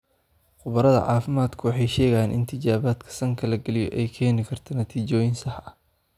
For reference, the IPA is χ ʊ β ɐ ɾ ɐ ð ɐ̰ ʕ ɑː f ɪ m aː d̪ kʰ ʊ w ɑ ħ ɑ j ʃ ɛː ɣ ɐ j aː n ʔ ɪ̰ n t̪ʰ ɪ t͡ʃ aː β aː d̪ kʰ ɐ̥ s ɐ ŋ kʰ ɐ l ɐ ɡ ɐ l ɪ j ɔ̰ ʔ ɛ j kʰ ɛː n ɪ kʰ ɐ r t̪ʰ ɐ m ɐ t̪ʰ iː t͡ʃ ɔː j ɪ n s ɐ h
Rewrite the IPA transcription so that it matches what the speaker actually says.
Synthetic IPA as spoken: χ ʊ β ɐ ɾ ɐ ð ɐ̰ ʕ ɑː f ɪ m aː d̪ kʰ ʊ w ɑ ħ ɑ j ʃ ɛː ɣ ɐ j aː n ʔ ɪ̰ n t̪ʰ ɪ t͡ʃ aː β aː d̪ kʰ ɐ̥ s ɐ ŋ kʰ ɐ l ɐ ɡ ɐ l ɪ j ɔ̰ ʔ ɛ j kʰ ɛː n ɪ kʰ ɐ r t̪ʰ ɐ n ɐ t̪ʰ iː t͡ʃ ɔː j ɪ n s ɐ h